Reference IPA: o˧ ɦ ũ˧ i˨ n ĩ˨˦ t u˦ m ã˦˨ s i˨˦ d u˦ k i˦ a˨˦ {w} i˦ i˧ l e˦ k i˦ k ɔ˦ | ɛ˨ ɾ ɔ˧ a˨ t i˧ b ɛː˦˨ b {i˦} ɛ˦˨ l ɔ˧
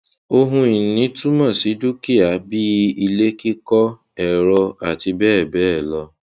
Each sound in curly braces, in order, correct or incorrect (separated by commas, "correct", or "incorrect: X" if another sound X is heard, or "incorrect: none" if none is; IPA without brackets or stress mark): incorrect: b, incorrect: ɛ˦